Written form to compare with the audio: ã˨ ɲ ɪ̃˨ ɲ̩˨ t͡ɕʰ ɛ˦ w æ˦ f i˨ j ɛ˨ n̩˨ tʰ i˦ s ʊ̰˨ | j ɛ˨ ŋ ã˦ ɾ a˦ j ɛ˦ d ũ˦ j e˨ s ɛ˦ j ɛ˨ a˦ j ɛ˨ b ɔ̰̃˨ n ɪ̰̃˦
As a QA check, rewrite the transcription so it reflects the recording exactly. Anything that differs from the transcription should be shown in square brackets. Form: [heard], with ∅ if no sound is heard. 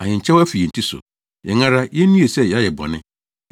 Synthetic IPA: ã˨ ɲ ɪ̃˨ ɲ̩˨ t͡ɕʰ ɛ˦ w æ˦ f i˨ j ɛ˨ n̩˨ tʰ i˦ s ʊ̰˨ | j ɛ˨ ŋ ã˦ ɾ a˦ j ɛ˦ [n] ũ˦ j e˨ s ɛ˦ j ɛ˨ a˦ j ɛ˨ b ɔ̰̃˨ n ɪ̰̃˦